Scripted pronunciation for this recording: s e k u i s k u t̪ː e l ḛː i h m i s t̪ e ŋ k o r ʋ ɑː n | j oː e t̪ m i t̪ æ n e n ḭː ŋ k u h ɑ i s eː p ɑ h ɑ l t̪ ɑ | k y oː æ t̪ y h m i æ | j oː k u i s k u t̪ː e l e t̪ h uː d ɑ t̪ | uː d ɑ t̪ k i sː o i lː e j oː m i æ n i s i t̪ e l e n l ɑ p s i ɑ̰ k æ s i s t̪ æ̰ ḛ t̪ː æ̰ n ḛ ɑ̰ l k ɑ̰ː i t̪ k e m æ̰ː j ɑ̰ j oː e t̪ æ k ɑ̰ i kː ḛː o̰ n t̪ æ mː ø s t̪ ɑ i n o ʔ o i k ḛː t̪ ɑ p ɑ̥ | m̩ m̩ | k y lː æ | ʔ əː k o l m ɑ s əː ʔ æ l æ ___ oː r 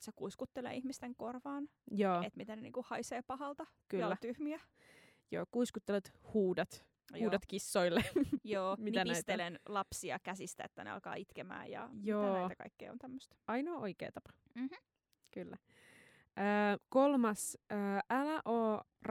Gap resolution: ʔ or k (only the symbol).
ʔ